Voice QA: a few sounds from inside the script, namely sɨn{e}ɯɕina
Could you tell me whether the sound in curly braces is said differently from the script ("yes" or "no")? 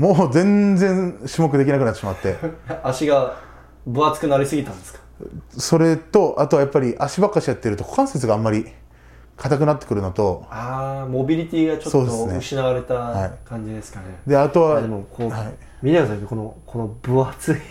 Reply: no